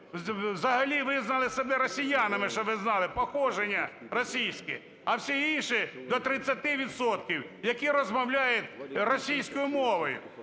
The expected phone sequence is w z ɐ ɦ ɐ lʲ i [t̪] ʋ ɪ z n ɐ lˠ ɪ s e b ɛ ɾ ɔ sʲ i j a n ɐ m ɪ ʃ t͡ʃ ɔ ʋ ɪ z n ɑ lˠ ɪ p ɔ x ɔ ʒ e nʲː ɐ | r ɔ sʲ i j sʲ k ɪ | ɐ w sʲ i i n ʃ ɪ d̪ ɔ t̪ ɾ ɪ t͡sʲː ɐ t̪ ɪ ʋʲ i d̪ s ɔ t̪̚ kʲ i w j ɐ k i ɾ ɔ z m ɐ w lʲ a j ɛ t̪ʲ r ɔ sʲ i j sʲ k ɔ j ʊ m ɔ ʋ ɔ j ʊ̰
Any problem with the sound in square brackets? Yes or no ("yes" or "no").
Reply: yes